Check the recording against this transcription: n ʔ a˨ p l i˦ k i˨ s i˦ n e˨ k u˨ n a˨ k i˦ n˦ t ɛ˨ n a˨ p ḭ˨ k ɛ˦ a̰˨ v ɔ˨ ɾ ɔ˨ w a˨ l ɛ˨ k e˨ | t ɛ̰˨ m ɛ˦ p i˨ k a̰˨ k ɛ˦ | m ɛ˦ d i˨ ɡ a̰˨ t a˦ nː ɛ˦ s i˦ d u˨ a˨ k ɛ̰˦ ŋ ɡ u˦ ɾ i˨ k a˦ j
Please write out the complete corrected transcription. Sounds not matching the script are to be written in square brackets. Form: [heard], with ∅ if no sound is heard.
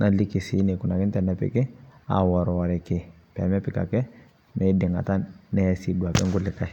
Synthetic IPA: n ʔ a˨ [∅] l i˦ k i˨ s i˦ n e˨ k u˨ n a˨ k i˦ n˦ t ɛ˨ n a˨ p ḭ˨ k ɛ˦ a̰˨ [w] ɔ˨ ɾ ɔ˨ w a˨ [ɾ] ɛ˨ k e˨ | [p] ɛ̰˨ m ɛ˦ p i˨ k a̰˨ k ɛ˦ | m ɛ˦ d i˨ [ŋ] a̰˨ t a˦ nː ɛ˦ s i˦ d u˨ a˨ k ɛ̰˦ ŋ ɡ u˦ [l] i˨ k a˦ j